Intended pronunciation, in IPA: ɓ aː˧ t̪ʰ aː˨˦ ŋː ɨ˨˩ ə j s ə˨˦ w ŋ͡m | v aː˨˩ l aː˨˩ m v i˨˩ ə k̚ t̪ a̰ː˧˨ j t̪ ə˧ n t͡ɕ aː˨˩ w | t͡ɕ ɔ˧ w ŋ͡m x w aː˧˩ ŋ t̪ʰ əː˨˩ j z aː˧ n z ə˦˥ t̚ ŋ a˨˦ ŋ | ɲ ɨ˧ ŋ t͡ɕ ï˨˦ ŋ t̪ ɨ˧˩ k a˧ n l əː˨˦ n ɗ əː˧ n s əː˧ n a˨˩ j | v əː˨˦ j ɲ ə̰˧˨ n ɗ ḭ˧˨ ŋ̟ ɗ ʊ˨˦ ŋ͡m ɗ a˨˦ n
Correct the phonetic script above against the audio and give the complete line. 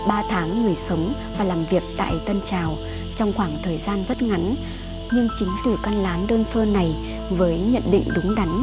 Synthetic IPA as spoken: ɓ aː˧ t̪ʰ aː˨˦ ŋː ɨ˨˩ ə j s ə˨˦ w ŋ͡m | v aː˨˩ l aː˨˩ m v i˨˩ ə k̚ t̪ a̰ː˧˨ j t̪ ə˧ n t͡ɕ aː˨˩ w | t͡ɕ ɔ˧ w ŋ͡m x w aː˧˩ ŋ t̪ʰ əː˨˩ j z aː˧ n z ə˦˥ t̚ ŋ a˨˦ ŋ | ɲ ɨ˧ ŋ t͡ɕ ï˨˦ ŋ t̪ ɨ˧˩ k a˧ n l aː˨˦ n ɗ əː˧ n s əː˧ n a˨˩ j | v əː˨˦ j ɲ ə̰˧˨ n ɗ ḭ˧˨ ŋ̟ ɗ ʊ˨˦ ŋ͡m ɗ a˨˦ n

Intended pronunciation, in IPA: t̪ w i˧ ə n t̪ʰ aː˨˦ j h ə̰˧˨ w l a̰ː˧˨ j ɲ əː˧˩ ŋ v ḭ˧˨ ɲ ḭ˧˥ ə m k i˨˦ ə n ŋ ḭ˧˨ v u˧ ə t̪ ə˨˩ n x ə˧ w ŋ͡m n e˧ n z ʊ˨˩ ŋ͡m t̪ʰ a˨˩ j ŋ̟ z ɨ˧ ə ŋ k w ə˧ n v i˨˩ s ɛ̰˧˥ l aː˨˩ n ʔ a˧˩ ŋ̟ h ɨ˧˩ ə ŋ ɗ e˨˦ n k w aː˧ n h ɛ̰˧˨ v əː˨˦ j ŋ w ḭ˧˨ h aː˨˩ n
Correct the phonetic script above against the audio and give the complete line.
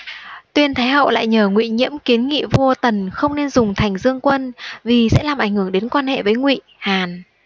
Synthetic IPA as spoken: t̪ w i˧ ə n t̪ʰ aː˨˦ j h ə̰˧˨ w l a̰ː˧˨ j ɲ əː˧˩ ŋ w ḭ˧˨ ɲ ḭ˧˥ ə m k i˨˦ ə n ŋ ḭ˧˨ v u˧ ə t̪ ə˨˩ n x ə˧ w ŋ͡m n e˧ n z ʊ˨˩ ŋ͡m t̪ʰ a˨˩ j ŋ̟ z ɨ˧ ə ŋ k w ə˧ n v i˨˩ s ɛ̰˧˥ l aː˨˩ m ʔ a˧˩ ŋ̟ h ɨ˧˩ ə ŋ ɗ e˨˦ n k w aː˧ n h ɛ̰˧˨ v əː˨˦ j ŋ w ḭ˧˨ h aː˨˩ n

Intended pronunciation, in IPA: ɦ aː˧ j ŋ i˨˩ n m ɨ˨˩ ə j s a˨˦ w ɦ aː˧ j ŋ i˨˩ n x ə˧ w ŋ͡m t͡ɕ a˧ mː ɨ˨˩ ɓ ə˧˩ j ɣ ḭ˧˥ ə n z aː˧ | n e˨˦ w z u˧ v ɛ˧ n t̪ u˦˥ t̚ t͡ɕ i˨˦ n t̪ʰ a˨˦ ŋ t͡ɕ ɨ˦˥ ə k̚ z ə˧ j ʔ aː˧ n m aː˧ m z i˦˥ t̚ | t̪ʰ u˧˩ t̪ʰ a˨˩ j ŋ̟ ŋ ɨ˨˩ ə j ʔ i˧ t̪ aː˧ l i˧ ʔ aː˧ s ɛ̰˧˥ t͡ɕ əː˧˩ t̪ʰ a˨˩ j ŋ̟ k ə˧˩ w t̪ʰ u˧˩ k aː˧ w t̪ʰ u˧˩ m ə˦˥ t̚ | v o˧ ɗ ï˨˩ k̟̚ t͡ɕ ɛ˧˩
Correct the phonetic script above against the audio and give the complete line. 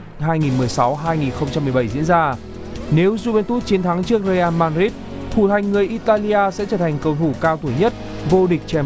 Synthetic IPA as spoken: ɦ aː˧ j ŋ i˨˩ n m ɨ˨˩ ə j s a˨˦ w ɦ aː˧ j ŋ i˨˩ n x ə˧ w ŋ͡m t͡ɕ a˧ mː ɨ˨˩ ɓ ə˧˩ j z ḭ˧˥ ə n z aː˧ | n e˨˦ w z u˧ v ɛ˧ n t̪ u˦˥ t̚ t͡ɕ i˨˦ n t̪ʰ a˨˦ ŋ t͡ɕ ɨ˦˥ ə k̚ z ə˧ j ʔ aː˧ n m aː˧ n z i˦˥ t̚ | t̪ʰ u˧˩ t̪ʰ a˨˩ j ŋ̟ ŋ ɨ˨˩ ə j ʔ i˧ t̪ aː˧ l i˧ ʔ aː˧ s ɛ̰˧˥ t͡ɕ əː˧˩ t̪ʰ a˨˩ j ŋ̟ k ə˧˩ w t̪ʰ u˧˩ k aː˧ w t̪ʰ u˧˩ ɲ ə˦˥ t̚ | v o˧ ɗ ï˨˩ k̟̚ t͡ɕ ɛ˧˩

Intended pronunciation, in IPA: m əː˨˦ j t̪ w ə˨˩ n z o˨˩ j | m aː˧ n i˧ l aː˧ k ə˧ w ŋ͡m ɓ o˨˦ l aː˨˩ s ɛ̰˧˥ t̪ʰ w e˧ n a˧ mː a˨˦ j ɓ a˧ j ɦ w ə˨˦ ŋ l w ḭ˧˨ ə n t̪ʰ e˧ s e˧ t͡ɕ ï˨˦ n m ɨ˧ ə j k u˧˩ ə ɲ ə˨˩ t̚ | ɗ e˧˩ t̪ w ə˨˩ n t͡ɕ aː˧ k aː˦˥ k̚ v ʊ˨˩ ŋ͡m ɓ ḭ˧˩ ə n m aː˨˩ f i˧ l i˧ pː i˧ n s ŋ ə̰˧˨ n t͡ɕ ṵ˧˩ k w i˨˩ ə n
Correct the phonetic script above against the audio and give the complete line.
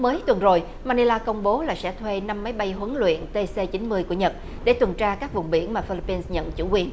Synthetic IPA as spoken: m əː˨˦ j t̪ w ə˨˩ n z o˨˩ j | m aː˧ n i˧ l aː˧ k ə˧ w ŋ͡m ɓ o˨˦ l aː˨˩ s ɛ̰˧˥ t̪ʰ w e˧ n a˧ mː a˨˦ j ɓ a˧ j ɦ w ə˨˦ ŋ l w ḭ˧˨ ə n t̪ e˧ s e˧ t͡ɕ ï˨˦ n m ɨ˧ ə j k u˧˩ ə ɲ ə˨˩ t̚ | ɗ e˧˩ t̪ w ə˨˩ n t͡ɕ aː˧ k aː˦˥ k̚ v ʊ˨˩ ŋ͡m ɓ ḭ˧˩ ə n m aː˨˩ f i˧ l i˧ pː i˧ n s ɲ ə̰˧˨ n t͡ɕ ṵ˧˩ k w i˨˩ ə n

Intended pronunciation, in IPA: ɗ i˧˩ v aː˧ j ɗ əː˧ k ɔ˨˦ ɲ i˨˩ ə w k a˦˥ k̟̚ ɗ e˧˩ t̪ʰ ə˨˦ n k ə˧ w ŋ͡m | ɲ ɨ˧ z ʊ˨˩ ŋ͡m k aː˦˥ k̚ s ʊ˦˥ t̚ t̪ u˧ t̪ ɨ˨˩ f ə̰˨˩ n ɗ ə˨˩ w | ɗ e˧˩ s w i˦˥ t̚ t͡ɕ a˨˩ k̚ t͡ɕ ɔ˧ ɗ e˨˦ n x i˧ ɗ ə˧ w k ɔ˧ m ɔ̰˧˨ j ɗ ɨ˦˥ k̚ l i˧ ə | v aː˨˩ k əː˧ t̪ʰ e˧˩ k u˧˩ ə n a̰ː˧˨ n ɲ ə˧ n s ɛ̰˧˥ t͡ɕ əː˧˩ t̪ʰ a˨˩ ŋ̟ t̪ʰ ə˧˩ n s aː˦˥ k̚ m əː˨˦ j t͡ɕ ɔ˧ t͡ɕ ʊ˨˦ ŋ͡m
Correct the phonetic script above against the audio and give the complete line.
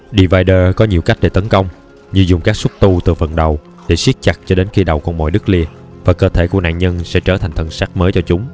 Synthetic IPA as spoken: ɗ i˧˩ v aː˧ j ɗ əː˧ k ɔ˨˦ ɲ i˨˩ ə w k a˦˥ k̟̚ ɗ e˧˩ t̪ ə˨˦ n k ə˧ w ŋ͡m | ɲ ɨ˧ z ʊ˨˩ ŋ͡m k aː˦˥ k̚ s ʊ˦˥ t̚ t̪ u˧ t̪ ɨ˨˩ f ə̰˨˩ n ɗ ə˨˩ w | ɗ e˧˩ s w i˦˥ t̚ t͡ɕ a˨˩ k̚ t͡ɕ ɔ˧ ɗ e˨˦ n x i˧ ɗ ə˨˩ w k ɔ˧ m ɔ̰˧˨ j ɗ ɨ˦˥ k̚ l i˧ ə | v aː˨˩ k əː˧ t̪ʰ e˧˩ k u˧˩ ə n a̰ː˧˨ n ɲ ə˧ n s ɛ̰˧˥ t͡ɕ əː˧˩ t̪ʰ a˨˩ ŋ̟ t̪ʰ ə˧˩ n s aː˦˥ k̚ m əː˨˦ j t͡ɕ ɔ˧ t͡ɕ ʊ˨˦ ŋ͡m

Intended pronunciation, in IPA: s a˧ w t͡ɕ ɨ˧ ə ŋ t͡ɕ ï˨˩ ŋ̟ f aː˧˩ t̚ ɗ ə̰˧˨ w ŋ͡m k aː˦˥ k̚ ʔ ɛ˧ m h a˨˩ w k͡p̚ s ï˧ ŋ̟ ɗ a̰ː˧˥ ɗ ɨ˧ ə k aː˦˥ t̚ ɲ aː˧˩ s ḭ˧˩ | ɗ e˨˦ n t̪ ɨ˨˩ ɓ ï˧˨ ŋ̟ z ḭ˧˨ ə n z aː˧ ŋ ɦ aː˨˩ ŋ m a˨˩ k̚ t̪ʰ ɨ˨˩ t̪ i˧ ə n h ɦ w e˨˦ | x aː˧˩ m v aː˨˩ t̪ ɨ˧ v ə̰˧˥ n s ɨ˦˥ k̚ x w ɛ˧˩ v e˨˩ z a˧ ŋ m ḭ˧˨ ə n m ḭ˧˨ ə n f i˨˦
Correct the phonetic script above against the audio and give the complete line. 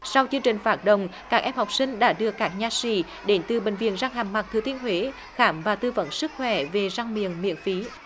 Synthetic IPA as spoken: s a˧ w t͡ɕ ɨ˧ ə ŋ t͡ɕ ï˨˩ ŋ̟ f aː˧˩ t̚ ɗ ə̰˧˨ w ŋ͡m k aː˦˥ k̚ ʔ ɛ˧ m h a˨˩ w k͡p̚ s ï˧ ŋ̟ ɗ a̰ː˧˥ ɗ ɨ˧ ə k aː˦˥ k̚ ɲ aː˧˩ s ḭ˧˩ | ɗ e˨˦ n t̪ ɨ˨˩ ɓ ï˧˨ ŋ̟ v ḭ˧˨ ə n z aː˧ ŋ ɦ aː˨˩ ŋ m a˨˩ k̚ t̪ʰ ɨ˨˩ t̪ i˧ ə n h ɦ w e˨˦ | x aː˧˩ m v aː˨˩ t̪ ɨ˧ v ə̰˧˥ n s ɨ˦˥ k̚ x w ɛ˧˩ v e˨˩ z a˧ ŋ m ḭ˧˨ ə n m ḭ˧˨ ə n f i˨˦

